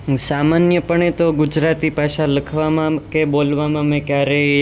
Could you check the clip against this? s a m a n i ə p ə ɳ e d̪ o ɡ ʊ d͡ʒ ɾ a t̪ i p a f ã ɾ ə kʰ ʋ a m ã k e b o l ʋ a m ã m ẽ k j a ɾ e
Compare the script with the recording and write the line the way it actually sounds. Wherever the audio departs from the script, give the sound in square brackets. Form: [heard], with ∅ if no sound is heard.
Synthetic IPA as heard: s a m a n [j] ə p ə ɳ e [t̪] o ɡ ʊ d͡ʒ ɾ a t̪ i p a [ʃ] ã [l] ə kʰ ʋ a m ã k e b o l ʋ a m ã m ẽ k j a ɾ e